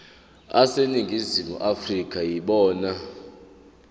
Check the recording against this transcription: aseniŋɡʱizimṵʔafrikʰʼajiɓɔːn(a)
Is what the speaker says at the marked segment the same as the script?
yes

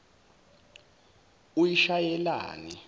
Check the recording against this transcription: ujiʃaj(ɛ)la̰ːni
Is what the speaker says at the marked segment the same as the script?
yes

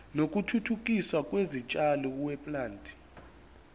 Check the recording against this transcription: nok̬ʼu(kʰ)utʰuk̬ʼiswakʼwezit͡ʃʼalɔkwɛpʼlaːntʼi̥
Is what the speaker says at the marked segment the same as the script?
no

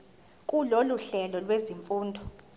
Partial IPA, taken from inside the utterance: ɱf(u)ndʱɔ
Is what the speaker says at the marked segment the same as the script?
no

